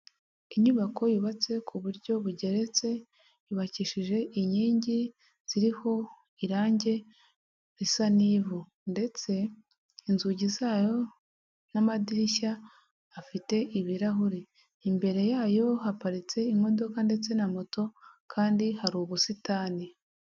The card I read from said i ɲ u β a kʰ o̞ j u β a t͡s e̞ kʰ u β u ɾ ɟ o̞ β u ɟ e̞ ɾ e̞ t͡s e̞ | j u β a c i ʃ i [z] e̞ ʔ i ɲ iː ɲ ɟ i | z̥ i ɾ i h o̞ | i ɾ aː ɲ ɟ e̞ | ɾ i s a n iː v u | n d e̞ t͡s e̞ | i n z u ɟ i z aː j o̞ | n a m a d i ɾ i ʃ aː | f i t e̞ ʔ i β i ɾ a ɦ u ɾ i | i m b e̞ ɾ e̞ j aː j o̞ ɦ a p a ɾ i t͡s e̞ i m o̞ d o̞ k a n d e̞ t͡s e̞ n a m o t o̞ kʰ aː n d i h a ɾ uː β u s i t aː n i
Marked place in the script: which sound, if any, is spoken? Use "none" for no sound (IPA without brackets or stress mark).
ʒ